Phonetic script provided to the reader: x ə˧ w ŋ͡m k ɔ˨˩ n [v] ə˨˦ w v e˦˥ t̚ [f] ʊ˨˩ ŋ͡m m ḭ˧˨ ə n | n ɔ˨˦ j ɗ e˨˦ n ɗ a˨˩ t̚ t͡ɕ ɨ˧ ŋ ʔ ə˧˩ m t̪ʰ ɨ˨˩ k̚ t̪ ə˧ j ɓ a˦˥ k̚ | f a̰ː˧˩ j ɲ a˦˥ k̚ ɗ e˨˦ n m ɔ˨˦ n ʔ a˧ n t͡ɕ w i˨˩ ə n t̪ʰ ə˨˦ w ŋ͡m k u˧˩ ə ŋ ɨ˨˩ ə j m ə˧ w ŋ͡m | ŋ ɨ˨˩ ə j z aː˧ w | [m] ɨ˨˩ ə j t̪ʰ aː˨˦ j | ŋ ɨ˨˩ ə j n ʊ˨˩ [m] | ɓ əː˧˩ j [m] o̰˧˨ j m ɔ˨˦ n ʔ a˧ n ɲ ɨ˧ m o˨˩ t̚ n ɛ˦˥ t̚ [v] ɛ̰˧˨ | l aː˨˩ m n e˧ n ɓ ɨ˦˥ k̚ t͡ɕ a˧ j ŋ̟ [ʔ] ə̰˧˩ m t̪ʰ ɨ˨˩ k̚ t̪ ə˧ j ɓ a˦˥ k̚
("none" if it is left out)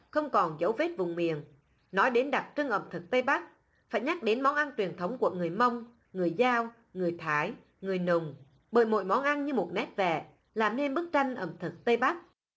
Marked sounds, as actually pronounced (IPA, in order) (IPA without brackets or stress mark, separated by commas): z, v, ŋ, ŋ͡m, m, v, ʔ